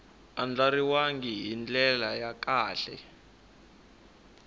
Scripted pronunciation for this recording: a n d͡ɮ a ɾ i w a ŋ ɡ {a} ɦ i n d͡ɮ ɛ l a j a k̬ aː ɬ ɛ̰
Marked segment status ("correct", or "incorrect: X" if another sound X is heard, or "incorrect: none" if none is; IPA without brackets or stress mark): incorrect: i